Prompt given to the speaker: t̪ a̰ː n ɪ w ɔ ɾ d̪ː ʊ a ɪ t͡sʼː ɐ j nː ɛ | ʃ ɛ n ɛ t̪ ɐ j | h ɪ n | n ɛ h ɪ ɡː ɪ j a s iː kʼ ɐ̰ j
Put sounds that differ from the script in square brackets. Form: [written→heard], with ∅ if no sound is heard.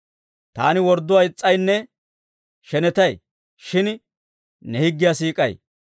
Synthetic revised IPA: t̪ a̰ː n ɪ w ɔ ɾ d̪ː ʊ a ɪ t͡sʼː ɐ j nː ɛ | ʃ ɛ n ɛ t̪ ɐ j | [h→ʃ] ɪ n | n ɛ h ɪ ɡː ɪ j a s iː kʼ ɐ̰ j